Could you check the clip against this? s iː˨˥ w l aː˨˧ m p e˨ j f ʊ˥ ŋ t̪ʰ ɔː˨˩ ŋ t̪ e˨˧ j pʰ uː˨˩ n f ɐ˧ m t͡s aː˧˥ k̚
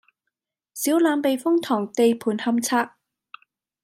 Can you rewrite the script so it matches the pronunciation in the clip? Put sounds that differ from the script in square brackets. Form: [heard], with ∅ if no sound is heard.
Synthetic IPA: s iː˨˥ w l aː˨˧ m p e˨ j f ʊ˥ ŋ t̪ʰ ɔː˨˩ ŋ t̪ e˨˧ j pʰ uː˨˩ n [h] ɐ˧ m [t͡sʰ] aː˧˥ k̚